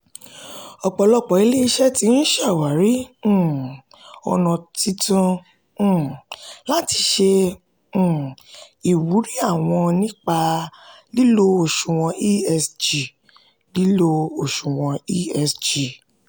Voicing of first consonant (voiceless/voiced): voiceless